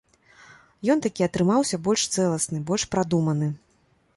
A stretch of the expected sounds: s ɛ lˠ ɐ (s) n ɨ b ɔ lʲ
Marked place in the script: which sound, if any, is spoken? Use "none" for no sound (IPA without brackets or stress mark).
s